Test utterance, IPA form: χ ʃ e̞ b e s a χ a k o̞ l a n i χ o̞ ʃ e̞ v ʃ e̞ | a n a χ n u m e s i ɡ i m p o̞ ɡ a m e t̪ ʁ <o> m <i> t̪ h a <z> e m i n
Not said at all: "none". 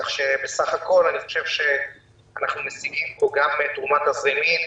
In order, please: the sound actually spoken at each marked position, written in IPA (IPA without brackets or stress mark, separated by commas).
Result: u, a, z